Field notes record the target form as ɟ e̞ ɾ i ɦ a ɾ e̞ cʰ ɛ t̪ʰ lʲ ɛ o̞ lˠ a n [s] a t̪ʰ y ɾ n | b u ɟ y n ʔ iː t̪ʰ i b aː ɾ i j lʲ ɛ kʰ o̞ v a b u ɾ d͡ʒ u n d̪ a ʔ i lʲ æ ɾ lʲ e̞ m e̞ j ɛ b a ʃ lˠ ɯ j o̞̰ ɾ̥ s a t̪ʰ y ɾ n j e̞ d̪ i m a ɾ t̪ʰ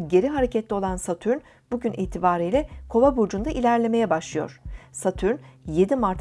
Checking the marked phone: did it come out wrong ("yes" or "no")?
no